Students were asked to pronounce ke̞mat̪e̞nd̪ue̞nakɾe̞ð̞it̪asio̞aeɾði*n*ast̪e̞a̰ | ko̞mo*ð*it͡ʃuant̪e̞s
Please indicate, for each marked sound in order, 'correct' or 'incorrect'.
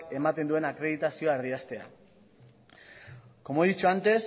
incorrect, correct

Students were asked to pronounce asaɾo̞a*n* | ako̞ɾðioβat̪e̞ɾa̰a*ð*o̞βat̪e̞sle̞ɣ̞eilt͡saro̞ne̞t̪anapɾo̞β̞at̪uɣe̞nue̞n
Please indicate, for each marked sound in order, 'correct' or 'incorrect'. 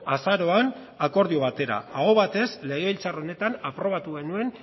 correct, incorrect

